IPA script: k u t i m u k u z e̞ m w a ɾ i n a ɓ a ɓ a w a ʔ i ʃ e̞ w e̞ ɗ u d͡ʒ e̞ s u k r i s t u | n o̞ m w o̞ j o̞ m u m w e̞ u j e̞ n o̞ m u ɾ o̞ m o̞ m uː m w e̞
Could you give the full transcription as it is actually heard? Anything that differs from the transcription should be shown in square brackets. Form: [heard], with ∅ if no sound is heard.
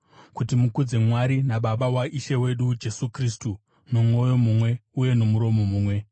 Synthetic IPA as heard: k u t i m u k u [d͡z] e̞ m w a ɾ i n a ɓ a ɓ a w a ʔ i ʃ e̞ w e̞ ɗ u d͡ʒ e̞ s u k r i s t u | n o̞ m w o̞ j o̞ m u m w e̞ u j e̞ n o̞ m u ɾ o̞ m o̞ m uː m w e̞